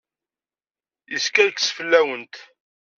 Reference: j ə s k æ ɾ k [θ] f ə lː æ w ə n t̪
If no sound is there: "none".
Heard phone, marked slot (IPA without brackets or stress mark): s